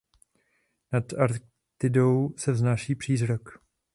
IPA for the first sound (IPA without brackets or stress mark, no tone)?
n